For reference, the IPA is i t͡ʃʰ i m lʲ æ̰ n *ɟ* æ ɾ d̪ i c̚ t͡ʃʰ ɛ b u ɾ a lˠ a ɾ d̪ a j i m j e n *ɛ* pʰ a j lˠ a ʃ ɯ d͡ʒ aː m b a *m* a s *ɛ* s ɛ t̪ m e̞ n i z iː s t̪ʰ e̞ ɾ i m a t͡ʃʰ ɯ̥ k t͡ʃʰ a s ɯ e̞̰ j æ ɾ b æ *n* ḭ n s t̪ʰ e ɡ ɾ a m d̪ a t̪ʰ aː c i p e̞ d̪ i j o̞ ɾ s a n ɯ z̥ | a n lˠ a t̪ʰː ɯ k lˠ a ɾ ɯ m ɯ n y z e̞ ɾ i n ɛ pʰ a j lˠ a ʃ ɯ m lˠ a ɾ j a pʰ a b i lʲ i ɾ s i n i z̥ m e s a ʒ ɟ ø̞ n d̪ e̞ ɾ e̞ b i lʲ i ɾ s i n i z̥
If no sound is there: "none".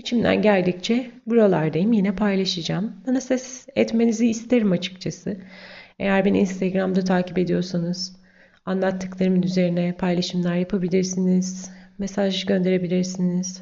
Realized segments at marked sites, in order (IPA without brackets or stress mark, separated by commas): ɟ, ɛ, n, ɛ, n